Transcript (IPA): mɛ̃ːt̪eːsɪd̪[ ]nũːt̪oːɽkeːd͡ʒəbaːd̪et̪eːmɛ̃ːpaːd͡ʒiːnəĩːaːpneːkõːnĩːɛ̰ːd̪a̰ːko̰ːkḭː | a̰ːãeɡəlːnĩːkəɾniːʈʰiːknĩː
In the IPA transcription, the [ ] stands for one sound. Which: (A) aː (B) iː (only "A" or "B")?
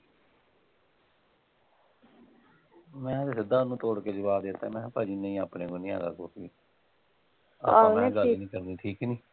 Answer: A